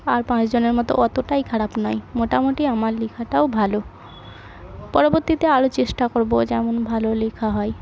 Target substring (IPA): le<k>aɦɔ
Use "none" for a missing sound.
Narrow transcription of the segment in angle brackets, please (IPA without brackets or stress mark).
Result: kʰ